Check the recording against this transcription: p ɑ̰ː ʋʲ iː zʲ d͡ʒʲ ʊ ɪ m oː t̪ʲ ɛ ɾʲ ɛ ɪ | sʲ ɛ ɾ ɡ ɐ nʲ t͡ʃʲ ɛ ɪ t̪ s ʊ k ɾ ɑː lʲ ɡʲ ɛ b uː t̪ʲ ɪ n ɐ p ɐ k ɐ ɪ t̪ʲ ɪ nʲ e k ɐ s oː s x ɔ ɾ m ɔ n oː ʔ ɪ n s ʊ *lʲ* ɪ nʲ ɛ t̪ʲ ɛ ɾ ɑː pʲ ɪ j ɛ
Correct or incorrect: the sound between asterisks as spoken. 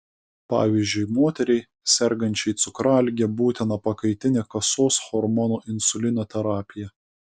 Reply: correct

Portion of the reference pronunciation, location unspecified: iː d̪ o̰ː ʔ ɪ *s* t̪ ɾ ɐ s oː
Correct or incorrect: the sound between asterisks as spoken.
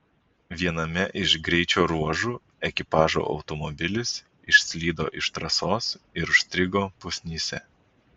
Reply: incorrect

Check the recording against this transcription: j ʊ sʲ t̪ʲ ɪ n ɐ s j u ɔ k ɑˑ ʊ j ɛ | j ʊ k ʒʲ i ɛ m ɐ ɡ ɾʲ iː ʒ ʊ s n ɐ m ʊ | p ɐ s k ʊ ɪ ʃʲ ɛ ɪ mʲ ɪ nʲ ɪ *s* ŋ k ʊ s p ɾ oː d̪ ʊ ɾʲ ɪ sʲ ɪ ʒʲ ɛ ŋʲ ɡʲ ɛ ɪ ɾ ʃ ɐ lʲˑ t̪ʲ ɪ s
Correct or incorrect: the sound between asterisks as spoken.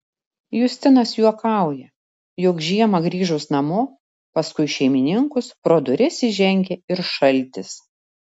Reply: incorrect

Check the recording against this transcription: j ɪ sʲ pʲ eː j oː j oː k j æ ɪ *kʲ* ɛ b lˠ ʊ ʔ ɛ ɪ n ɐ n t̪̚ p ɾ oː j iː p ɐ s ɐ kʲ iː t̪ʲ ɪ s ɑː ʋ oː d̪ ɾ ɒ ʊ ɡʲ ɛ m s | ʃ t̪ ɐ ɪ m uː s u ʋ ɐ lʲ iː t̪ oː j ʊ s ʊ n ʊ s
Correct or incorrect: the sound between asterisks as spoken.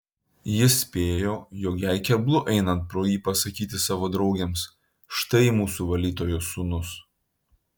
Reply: correct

